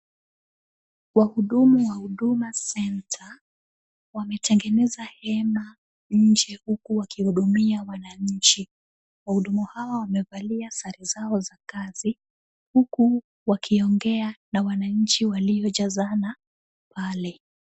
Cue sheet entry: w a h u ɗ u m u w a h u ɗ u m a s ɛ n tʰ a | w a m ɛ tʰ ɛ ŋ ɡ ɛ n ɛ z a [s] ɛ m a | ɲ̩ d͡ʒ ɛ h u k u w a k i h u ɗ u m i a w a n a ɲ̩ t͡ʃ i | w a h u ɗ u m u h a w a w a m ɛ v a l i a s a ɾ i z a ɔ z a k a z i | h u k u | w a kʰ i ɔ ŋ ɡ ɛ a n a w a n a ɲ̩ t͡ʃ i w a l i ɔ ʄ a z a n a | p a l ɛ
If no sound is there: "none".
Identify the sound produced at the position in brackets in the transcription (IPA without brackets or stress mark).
h